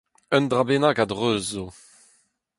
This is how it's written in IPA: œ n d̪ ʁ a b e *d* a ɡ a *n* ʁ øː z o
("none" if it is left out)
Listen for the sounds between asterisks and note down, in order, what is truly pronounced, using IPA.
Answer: n, d

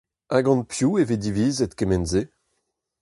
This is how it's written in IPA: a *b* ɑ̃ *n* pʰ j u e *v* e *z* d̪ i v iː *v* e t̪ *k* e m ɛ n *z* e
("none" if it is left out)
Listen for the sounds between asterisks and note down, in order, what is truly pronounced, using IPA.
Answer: ɡ, n, v, none, z, k, z

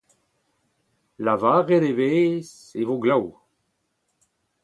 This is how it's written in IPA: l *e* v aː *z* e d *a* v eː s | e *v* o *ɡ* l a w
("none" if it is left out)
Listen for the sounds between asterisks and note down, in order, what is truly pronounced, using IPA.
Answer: a, ʁ, e, v, ɡ

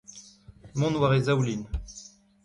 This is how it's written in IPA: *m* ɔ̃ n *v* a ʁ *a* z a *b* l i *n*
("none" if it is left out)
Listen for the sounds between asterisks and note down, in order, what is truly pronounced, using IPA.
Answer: m, w, e, w, n

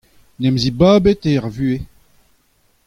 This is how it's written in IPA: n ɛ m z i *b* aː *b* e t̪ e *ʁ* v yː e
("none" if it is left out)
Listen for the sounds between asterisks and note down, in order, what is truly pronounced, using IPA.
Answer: b, b, ʁ

